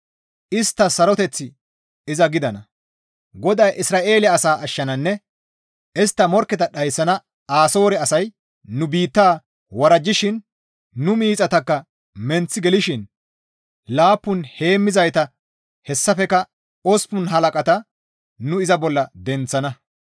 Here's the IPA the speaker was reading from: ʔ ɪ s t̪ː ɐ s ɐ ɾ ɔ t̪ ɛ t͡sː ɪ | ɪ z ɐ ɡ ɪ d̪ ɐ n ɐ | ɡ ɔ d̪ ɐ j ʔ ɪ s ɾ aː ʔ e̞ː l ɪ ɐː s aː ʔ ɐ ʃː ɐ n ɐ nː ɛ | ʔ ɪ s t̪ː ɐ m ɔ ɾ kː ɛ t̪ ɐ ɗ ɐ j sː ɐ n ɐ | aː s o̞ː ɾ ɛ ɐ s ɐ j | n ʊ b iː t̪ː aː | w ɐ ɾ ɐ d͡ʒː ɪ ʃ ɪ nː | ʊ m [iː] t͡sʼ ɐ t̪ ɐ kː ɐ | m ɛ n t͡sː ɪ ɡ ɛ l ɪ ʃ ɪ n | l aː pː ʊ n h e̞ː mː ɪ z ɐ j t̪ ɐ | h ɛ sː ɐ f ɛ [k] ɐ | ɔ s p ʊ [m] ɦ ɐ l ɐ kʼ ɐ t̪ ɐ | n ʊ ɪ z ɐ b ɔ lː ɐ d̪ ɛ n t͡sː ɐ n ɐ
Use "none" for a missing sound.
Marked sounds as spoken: iː, k, n

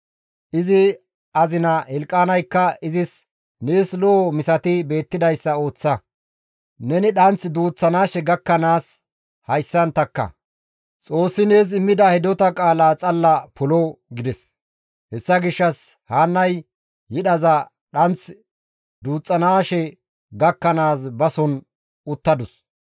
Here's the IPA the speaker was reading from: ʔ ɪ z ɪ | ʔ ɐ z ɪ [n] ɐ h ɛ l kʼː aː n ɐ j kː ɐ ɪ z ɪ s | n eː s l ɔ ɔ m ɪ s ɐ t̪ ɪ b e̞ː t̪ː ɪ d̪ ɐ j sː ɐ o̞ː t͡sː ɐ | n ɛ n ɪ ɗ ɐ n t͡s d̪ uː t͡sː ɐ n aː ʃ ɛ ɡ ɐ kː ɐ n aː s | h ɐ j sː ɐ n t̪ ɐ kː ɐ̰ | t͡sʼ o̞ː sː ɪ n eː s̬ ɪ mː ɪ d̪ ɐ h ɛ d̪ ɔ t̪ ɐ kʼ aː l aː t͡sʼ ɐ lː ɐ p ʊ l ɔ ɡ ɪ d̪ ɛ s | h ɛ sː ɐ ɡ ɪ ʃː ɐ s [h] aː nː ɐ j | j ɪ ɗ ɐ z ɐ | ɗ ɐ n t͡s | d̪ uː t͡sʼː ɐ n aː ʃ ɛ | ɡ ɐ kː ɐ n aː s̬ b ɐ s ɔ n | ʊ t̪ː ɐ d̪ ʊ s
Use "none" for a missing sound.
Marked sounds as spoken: n, h

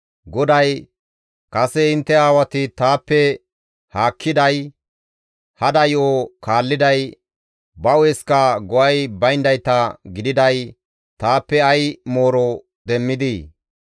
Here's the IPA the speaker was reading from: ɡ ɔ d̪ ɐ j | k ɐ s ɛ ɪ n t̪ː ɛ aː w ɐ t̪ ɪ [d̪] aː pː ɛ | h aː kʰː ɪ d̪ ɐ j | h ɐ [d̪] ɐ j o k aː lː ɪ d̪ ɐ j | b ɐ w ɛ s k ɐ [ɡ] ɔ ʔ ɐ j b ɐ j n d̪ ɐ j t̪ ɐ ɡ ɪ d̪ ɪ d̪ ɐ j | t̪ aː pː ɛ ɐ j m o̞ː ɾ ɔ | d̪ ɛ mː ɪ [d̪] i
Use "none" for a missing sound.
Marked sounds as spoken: t̪, d̪, ɡ, d̪

